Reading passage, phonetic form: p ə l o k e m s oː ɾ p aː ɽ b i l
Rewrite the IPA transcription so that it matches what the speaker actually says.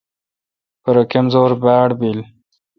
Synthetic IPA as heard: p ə ɾ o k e m z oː ɾ b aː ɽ b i l